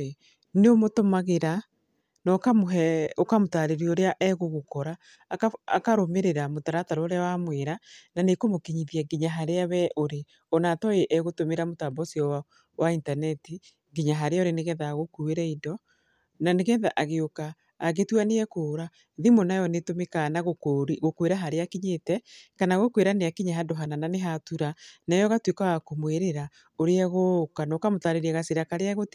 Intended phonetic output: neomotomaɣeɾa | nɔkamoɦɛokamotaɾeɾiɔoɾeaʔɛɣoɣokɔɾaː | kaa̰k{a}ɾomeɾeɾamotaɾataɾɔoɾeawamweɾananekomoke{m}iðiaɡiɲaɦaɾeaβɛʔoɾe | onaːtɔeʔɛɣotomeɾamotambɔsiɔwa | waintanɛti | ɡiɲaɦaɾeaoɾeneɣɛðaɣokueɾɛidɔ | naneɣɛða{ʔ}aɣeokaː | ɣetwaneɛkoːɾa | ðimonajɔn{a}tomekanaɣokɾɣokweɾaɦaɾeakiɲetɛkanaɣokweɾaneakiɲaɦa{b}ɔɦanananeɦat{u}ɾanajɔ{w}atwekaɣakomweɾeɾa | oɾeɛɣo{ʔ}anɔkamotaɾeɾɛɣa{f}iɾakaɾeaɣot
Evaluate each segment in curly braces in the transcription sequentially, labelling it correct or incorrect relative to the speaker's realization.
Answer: correct, incorrect: ɲ, correct, incorrect: e, incorrect: d, correct, incorrect: ɣ, incorrect: k, incorrect: s

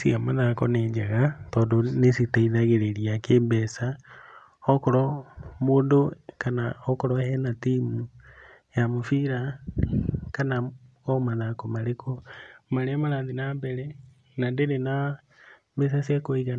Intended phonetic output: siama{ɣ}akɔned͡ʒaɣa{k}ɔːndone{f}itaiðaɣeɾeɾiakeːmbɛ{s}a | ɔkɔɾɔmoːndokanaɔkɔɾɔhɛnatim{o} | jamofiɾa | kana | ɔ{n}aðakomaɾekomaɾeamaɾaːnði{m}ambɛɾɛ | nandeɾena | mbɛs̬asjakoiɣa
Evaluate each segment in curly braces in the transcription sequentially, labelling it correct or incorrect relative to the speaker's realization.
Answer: incorrect: ð, incorrect: t, incorrect: s, correct, incorrect: u, incorrect: m, incorrect: n

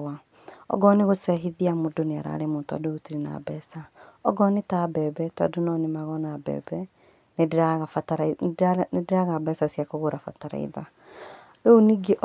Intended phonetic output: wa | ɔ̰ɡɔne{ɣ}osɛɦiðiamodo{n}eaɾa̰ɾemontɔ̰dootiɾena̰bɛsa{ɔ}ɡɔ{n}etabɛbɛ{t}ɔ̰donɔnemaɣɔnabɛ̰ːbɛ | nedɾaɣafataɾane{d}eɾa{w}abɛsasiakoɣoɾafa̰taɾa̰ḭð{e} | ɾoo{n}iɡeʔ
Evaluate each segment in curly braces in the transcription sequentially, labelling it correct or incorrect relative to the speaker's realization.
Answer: correct, correct, correct, correct, correct, correct, incorrect: ɣ, incorrect: a, correct

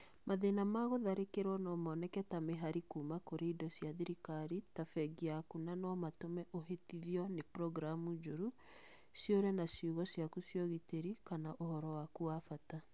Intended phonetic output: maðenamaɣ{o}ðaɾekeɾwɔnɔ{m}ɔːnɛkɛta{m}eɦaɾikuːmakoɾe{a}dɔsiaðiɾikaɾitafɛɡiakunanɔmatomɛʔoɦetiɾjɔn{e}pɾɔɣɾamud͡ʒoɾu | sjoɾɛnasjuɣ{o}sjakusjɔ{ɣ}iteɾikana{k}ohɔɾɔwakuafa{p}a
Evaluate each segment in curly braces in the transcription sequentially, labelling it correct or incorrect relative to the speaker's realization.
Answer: correct, correct, correct, incorrect: i, correct, incorrect: ɔ, correct, incorrect: ʔ, incorrect: t

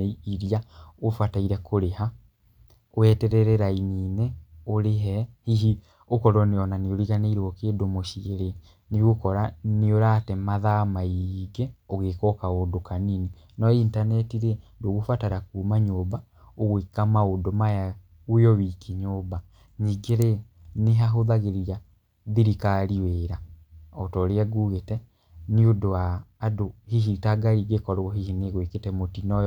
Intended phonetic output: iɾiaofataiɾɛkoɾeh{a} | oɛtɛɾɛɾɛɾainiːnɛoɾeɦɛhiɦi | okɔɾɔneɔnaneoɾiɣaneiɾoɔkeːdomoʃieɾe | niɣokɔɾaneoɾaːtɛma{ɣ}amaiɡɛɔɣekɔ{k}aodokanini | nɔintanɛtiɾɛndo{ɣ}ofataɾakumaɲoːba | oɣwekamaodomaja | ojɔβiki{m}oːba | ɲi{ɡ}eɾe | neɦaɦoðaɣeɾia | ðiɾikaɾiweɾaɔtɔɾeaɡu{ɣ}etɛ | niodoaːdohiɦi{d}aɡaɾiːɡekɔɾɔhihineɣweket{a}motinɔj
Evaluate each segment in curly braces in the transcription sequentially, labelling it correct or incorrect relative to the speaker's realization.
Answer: correct, incorrect: ð, correct, correct, incorrect: ɲ, correct, correct, incorrect: t, incorrect: ɛ

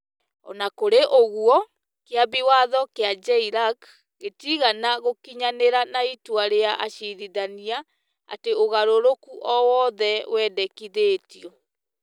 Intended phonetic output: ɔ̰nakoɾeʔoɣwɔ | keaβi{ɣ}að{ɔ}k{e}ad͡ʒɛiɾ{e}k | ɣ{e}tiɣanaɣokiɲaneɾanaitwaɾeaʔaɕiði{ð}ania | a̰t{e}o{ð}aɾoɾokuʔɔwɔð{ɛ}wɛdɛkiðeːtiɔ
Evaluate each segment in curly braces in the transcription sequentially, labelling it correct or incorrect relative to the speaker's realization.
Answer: incorrect: w, correct, correct, incorrect: a, correct, correct, correct, incorrect: ɣ, correct

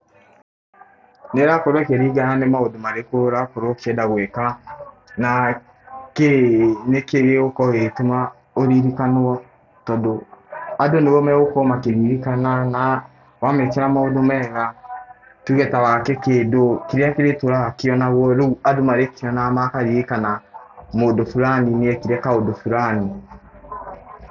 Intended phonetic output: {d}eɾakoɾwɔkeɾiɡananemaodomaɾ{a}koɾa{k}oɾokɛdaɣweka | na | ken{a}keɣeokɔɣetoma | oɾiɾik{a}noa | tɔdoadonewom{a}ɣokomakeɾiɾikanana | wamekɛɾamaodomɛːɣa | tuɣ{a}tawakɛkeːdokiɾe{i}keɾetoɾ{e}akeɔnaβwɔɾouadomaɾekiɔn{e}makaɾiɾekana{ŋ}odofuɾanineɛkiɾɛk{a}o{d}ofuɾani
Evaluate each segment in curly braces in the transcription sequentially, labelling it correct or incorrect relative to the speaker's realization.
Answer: incorrect: n, incorrect: e, correct, incorrect: e, correct, incorrect: ɛ, incorrect: ɛ, incorrect: a, incorrect: a, incorrect: a, incorrect: m, correct, correct

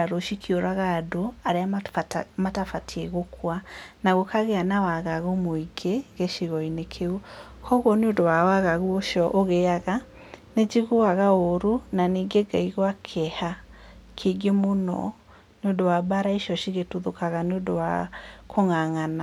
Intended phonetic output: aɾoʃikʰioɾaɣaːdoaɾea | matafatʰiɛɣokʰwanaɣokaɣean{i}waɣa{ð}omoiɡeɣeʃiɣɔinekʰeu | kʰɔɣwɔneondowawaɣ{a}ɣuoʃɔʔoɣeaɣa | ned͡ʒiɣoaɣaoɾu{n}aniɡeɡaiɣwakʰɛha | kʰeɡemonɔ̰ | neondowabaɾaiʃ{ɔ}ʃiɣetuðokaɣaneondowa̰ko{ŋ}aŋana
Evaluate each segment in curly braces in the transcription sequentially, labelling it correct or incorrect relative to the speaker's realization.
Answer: incorrect: a, incorrect: ɣ, correct, correct, correct, correct

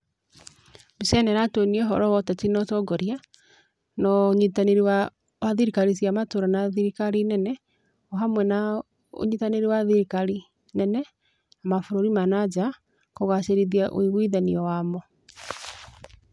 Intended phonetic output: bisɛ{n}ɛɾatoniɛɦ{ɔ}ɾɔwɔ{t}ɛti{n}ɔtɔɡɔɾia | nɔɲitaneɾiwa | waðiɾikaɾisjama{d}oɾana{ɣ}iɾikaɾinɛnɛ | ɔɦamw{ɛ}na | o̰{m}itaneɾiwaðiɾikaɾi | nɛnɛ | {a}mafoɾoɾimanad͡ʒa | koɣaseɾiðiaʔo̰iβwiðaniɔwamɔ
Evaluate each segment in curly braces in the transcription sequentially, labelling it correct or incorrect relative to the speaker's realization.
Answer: correct, correct, correct, correct, incorrect: t, incorrect: ð, correct, incorrect: ɲ, correct

